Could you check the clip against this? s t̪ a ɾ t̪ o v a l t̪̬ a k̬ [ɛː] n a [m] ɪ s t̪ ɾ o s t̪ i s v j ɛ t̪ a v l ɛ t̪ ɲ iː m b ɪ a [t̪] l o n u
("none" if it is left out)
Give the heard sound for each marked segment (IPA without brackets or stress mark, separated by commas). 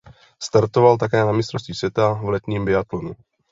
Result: ɛː, m, t̪